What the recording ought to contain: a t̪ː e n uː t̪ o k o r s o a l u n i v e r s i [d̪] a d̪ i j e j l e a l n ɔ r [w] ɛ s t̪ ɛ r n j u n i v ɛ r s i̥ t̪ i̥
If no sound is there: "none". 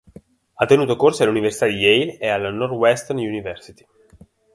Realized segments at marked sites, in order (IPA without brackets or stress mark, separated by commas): t̪, w